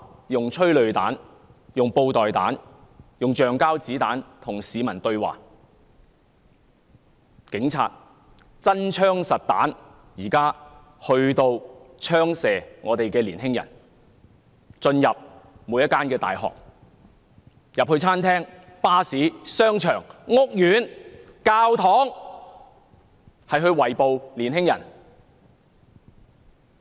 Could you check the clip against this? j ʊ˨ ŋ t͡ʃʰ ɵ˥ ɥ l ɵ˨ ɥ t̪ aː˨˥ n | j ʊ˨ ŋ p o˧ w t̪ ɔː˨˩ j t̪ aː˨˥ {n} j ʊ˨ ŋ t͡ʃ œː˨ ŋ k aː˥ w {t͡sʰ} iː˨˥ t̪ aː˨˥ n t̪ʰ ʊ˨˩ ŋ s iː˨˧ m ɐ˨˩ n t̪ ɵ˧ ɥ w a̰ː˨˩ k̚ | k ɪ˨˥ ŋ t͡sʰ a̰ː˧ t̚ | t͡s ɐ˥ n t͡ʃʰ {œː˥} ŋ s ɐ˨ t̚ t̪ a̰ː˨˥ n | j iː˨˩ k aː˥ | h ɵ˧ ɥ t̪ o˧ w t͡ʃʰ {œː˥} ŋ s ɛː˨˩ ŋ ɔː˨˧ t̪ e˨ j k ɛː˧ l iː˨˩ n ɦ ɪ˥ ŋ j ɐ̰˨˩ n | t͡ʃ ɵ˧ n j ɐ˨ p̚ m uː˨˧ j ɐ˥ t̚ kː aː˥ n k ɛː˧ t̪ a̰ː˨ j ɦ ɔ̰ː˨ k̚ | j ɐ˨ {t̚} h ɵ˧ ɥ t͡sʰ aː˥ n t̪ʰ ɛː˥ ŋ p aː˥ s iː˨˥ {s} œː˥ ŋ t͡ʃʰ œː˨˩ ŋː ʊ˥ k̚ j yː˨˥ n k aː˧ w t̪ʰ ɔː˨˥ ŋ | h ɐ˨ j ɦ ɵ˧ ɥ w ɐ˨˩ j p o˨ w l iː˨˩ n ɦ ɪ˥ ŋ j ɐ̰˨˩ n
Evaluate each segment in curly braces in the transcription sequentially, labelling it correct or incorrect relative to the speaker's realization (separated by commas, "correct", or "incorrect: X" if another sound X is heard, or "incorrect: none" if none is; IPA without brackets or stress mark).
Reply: correct, incorrect: t͡s, correct, correct, incorrect: p̚, correct